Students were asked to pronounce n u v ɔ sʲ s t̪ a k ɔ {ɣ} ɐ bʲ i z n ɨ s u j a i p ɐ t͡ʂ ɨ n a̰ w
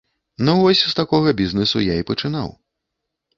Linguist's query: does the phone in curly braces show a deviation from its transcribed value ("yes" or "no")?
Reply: no